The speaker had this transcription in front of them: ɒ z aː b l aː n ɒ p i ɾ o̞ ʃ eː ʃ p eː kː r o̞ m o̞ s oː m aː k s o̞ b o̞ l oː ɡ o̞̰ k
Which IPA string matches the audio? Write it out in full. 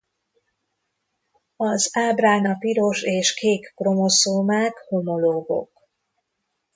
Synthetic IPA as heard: ɒ z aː b r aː n ɒ p i ɾ o̞ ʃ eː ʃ k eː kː r o̞ m o̞ s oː m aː k h o̞ m o̞ l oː ɡ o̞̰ k